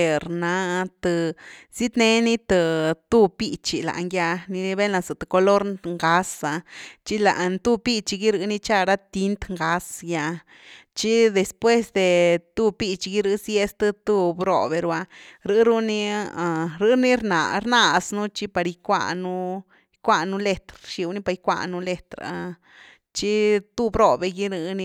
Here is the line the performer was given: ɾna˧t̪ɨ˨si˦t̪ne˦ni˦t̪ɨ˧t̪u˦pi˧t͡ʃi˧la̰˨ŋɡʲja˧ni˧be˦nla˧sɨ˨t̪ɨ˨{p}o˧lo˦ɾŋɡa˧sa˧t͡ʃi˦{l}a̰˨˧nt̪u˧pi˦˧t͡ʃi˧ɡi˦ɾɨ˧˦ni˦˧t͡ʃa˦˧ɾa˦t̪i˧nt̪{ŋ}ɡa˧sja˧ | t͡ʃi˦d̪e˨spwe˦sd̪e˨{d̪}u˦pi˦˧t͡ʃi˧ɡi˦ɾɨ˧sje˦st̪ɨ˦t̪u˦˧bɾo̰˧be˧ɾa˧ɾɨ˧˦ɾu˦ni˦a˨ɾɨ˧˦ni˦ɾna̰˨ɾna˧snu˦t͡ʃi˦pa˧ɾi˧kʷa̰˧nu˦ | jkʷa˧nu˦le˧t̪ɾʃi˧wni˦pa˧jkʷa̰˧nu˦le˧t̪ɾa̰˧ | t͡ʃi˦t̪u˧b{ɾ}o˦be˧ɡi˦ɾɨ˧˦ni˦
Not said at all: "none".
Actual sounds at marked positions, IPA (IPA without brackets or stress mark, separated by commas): k, l, ŋ, t̪, ɾ